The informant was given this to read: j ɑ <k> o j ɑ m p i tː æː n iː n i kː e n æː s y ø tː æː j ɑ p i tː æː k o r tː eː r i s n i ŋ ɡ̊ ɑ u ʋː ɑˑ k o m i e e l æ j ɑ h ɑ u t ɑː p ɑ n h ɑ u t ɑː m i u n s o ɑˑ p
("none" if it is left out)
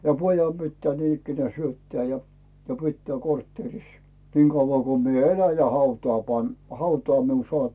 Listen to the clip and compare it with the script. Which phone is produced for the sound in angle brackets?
p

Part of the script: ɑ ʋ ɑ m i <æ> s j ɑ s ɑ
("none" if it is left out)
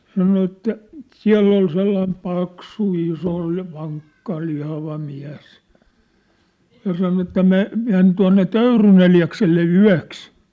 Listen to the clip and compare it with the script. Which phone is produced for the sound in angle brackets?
æ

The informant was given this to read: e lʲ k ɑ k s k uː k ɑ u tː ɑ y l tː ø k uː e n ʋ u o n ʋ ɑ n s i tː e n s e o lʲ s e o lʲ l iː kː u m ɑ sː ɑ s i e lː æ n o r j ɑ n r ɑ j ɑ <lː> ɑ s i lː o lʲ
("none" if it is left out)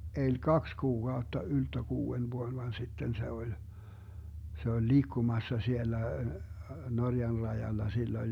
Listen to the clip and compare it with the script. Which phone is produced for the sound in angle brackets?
lː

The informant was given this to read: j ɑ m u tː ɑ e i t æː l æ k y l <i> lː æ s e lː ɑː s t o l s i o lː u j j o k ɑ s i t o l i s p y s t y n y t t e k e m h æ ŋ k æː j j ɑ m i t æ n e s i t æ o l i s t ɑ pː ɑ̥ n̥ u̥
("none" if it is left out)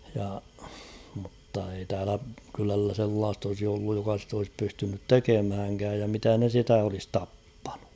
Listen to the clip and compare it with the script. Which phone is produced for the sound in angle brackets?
æ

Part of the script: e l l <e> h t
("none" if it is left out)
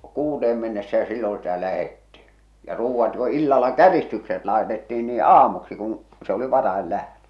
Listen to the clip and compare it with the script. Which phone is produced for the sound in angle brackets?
æ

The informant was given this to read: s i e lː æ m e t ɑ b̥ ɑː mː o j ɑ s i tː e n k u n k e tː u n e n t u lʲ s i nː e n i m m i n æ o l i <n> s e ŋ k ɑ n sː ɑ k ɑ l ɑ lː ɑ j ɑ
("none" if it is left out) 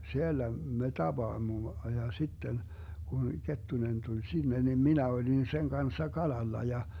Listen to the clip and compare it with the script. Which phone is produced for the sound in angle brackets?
n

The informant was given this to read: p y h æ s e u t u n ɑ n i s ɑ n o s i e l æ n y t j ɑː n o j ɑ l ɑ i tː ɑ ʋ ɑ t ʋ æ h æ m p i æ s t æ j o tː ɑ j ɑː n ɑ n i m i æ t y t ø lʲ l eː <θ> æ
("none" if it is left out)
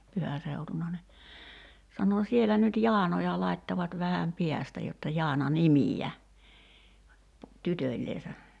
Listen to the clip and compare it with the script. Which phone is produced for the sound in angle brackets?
s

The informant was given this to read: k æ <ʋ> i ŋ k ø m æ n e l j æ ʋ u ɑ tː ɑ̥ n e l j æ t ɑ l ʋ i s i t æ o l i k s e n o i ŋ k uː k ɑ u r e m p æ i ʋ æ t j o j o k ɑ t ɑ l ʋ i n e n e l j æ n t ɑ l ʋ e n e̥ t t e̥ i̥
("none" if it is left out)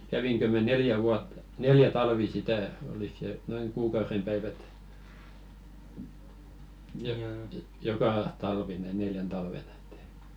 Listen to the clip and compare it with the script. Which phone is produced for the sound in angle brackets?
ʋ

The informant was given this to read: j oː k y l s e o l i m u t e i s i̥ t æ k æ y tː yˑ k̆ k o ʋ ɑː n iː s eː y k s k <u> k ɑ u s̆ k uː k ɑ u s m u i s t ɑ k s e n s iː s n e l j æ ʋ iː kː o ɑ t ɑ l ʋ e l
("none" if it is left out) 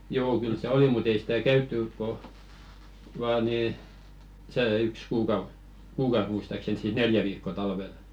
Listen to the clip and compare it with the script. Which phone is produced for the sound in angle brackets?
uː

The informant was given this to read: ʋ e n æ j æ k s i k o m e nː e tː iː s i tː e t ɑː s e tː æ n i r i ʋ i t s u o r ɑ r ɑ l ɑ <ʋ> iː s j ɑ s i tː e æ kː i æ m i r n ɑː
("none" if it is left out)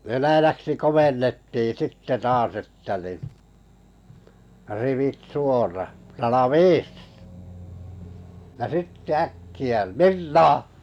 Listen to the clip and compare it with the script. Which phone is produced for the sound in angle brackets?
ʋ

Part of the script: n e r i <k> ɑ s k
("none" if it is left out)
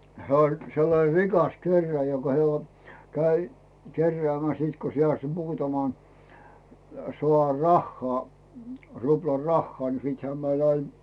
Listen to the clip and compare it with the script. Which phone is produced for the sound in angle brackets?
k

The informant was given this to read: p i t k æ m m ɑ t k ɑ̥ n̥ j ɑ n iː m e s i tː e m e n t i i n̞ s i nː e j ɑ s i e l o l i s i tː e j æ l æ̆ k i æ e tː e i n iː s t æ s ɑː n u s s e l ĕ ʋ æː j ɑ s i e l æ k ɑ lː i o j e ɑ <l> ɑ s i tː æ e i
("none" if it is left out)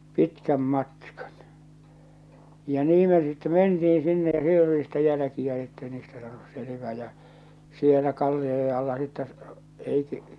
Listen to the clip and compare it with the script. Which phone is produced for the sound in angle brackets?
lː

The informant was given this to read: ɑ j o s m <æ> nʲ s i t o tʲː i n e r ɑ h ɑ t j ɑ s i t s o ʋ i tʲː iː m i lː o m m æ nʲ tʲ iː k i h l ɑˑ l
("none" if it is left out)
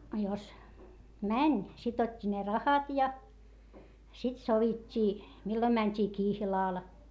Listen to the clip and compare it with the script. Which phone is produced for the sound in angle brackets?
æ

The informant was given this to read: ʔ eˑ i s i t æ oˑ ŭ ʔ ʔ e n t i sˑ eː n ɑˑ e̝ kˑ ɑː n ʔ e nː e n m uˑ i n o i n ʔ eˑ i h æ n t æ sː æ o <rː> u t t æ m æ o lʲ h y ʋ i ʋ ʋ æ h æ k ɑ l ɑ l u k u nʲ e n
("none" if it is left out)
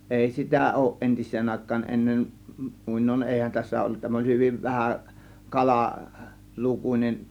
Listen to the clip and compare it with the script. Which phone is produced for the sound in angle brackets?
lː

